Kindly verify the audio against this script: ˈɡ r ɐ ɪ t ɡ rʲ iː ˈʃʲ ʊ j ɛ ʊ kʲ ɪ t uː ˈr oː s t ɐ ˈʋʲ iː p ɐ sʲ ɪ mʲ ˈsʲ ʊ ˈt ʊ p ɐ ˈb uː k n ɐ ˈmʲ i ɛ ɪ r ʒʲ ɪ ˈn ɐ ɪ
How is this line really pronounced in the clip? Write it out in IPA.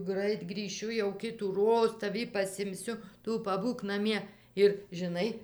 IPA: ˈɡ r ɐ ɪ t ɡ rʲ iː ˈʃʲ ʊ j ɛ ʊ kʲ ɪ t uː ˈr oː s t ɐ ˈʋʲ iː p ɐ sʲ ɪ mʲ ˈsʲ ʊ ˈt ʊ p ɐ ˈb uː k n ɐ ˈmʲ i ɛ ɪ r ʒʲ ɪ ˈn ɐ ɪ